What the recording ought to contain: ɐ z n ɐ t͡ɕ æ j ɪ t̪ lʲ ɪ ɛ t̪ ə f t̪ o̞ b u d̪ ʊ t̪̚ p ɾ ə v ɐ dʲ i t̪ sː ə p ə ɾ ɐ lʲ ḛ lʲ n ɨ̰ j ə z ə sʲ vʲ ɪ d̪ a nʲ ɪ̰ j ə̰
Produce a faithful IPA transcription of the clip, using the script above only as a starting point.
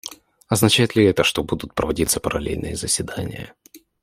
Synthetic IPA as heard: ɐ z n ɐ t͡ɕ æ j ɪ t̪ lʲ ɪ ɛ t̪ ə ʂ t̪ o̞ b u d̪ ʊ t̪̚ p ɾ ə v ɐ dʲ i t̪ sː ə p ə ɾ ɐ lʲ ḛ lʲ n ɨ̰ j ə z ə sʲ vʲ ɪ d̪ a nʲ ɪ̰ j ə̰